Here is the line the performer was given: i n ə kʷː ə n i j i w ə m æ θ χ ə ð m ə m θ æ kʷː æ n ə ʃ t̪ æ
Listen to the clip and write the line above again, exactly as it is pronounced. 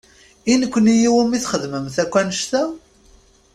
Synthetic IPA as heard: i n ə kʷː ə n i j i w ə m i θ χ ə ð m ə m θ æ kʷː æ n ə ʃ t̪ æ